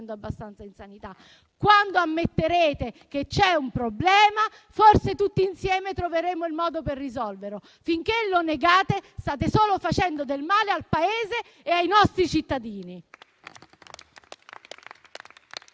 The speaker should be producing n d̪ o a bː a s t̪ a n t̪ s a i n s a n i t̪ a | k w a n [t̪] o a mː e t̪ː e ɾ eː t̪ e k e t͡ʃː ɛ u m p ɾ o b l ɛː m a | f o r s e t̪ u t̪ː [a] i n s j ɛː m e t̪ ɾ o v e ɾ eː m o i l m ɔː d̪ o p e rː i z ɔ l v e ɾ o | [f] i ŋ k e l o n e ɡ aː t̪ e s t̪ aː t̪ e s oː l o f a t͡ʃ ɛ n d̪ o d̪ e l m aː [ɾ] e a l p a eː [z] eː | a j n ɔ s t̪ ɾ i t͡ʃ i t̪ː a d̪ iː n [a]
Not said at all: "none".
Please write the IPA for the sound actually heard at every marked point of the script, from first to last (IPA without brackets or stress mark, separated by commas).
d̪, i, f, l, z, i